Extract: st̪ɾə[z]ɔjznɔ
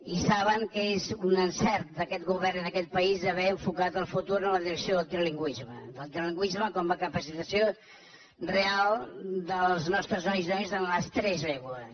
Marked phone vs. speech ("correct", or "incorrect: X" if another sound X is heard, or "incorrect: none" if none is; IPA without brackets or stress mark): correct